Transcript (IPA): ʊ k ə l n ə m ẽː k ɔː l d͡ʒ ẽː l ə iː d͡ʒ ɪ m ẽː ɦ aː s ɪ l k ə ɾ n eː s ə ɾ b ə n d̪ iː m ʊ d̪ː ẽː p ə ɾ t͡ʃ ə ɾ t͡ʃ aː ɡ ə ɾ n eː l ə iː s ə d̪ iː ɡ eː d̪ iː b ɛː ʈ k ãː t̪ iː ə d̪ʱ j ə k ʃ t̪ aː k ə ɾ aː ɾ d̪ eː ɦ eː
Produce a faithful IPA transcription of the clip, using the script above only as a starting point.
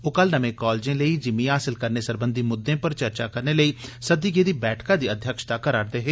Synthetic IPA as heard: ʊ k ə l n ə m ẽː k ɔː l d͡ʒ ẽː l ə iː d͡ʒ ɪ m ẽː ɦ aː s ɪ l k ə ɾ n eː s ə ɾ b ə n d̪ iː m ʊ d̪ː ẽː p ə ɾ t͡ʃ ə ɾ t͡ʃ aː k ə ɾ n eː l ə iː s ə d̪ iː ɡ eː d̪ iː b ɛː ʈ k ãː d̪ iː ə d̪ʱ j ə k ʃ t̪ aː k ə ɾ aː ɾ d̪ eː ɦ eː